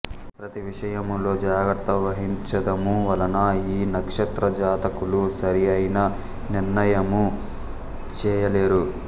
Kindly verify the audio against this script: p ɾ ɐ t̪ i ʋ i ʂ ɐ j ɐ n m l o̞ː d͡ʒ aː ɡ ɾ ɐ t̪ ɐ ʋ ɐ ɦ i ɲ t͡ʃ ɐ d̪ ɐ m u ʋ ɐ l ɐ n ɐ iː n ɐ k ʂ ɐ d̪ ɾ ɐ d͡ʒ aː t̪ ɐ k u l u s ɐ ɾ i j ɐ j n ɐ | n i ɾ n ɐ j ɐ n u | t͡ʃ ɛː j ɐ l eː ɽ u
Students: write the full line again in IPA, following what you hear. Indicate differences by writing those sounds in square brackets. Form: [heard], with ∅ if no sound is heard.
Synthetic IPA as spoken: p ɾ ɐ t̪ i ʋ i ʂ ɐ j ɐ [∅] m l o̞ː d͡ʒ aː ɡ ɾ ɐ t̪ ɐ ʋ ɐ ɦ i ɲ t͡ʃ ɐ d̪ ɐ m u ʋ ɐ l ɐ n ɐ iː n ɐ k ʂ ɐ [t̪] ɾ ɐ d͡ʒ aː t̪ ɐ k u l u s ɐ ɾ i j ɐ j n ɐ | n i ɾ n ɐ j ɐ [m] u | t͡ʃ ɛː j ɐ l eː [ɾ] u